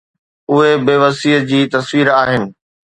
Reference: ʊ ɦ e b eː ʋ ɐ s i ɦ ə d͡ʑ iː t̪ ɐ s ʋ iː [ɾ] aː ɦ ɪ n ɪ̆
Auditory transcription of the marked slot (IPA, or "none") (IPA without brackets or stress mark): ɾ